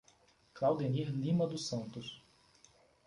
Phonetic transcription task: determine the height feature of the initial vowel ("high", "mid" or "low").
low